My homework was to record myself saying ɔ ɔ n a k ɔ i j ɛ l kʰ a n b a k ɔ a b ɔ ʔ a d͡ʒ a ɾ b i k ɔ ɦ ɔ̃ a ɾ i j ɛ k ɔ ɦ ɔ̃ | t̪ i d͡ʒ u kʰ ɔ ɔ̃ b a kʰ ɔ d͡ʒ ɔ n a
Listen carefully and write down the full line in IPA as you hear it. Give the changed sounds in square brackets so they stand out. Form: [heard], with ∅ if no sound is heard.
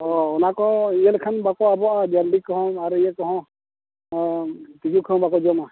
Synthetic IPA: ɔ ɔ n a k ɔ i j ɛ l kʰ a n b a k ɔ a b ɔ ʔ a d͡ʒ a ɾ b i k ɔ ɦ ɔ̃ a ɾ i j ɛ k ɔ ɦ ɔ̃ | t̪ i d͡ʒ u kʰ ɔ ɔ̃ b a [k] ɔ d͡ʒ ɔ [m] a